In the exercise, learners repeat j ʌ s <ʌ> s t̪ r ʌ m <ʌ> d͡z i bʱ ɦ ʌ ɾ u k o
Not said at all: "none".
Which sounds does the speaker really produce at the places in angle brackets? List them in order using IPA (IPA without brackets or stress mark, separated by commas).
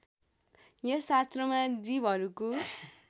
a, a